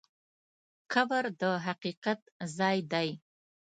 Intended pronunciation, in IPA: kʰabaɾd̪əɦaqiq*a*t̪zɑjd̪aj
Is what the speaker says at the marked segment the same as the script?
yes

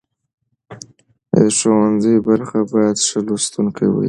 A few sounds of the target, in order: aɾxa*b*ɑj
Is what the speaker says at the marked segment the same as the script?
yes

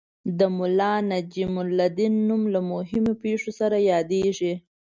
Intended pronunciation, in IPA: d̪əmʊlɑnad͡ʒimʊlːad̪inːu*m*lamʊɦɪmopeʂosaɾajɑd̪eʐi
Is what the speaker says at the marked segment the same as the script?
yes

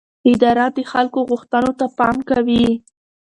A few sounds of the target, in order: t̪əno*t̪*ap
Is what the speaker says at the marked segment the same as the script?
yes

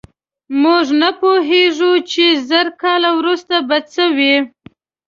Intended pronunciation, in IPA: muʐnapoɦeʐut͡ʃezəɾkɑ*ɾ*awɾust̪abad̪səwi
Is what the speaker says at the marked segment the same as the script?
no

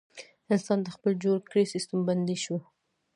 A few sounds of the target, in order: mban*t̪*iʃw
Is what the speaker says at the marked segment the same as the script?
no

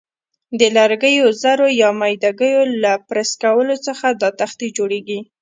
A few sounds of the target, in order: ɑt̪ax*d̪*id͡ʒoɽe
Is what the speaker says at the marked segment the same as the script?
no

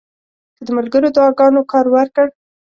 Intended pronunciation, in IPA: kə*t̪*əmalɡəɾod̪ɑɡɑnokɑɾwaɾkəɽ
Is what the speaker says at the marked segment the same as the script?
no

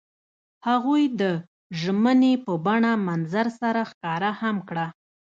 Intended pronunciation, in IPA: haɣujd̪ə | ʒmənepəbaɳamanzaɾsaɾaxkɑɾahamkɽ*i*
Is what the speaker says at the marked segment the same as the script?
no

